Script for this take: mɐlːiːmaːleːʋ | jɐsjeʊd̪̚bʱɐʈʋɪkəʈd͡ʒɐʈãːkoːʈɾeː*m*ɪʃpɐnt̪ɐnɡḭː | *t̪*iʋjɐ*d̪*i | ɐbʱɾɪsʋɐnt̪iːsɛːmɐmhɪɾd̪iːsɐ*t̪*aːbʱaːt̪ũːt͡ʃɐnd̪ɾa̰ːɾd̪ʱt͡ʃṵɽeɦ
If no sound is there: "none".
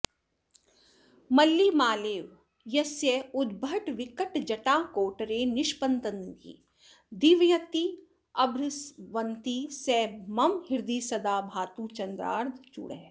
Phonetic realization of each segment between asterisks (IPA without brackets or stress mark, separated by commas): n, d̪, t̪, d̪